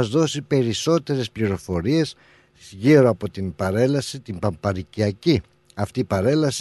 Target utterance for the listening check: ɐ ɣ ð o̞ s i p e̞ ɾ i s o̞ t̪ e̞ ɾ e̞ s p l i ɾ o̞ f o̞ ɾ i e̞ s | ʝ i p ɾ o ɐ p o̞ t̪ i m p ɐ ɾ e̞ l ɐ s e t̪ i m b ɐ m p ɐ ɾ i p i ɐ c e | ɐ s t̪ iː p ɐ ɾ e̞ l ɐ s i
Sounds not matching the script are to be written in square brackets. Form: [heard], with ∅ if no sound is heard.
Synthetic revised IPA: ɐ [z] ð o̞ s i p e̞ ɾ i s o̞ t̪ e̞ ɾ e̞ s p l i ɾ o̞ f o̞ ɾ i e̞ s | ʝ i [∅] ɾ o ɐ p o̞ t̪ i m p ɐ ɾ e̞ l ɐ s [i] t̪ i m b ɐ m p ɐ ɾ i [c] i ɐ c [i] | ɐ [f] t̪ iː p ɐ ɾ e̞ l ɐ s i